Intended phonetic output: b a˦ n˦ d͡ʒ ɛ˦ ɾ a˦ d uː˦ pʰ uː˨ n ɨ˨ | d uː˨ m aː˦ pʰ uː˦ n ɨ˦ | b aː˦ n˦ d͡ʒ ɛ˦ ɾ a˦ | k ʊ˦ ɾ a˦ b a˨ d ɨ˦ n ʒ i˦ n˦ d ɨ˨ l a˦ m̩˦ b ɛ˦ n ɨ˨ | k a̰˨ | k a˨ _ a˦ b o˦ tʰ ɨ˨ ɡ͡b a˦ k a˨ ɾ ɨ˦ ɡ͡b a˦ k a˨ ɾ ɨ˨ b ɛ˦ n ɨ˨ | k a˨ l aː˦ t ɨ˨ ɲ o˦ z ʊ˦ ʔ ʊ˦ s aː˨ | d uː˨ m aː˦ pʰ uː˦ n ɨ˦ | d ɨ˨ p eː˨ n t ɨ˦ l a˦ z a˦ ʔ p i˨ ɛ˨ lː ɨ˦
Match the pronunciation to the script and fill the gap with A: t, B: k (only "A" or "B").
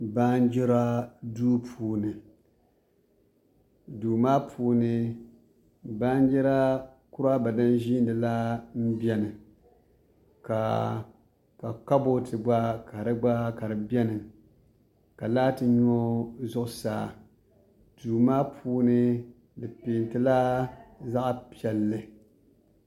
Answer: B